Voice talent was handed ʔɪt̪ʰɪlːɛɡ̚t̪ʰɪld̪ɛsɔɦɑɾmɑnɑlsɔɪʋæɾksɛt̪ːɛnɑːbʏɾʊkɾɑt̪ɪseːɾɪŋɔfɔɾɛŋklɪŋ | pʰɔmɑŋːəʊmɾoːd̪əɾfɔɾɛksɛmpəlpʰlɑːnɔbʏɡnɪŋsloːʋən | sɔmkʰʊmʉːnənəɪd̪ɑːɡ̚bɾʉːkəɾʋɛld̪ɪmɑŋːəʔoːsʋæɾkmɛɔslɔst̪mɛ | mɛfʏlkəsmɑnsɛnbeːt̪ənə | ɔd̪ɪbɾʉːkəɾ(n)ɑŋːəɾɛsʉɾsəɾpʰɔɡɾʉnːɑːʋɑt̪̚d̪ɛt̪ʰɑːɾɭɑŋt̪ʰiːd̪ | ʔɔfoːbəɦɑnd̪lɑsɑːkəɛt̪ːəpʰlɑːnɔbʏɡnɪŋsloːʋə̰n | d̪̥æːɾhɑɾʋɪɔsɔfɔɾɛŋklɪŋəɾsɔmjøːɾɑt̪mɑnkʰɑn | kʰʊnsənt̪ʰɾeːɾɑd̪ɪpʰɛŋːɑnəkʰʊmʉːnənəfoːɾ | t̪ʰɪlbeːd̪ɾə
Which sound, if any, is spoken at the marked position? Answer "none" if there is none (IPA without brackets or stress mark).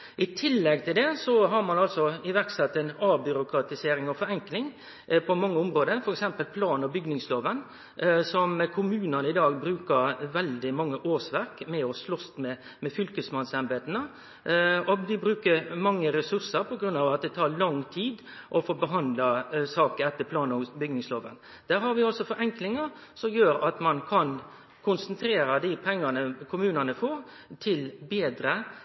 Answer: m